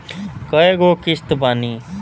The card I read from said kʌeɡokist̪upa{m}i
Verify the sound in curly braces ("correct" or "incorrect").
incorrect